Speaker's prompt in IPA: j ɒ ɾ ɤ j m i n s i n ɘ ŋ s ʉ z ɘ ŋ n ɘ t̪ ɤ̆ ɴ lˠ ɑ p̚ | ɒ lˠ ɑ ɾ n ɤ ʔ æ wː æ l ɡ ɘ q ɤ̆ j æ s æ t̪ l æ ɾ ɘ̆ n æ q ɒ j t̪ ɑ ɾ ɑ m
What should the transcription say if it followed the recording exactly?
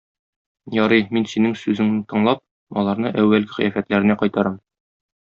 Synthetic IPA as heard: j ɒ ɾ ɤ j m i n s i n ɘ ŋ s ʉ z ɘ ŋ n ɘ t̪ ɤ̆ ɴ lˠ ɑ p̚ | ɒ lˠ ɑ ɾ n ɤ ʔ æ wː æ l ɡ ɘ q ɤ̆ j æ f æ t̪ l æ ɾ ɘ̆ n æ q ɒ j t̪ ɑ ɾ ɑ m